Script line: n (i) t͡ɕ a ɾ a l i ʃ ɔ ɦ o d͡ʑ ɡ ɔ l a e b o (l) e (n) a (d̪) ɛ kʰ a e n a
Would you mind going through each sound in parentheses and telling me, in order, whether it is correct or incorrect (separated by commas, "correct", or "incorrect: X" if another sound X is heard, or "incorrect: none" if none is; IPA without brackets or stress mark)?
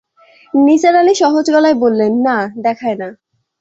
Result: correct, incorrect: lː, incorrect: nː, correct